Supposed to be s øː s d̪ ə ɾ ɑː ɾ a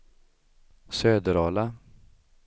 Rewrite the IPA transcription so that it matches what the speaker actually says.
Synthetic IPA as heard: s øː d̪ ə ɾ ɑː l a